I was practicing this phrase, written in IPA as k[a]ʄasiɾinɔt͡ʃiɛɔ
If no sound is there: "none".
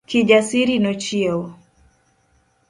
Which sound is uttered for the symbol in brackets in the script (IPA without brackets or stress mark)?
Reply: i